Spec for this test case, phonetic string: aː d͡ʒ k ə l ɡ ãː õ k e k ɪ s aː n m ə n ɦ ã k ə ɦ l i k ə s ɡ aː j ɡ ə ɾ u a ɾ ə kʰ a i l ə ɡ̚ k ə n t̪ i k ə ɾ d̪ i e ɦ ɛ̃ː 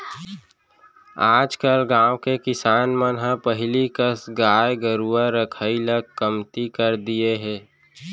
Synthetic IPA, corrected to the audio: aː d͡ʒ k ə l ɡ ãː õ k e k ɪ s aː n m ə n ɦ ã p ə ɦ l i k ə s ɡ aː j ɡ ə ɾ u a ɾ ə kʰ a i l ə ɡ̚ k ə m t̪ i k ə ɾ d̪ i e ɦ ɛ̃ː